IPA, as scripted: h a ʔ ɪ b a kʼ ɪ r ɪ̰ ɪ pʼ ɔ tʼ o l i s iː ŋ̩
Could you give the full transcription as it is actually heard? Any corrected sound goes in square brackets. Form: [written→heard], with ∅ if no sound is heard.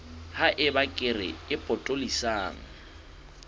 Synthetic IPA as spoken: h a ʔ ɪ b a kʼ ɪ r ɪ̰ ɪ pʼ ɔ tʼ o l i s [iː→aː] ŋ̩